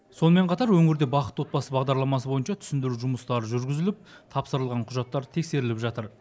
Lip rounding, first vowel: rounded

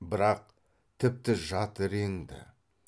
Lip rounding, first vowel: unrounded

